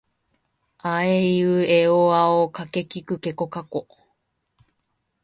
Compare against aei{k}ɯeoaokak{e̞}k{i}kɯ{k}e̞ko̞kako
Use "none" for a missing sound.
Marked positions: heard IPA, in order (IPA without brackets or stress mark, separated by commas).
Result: none, e̞, i, k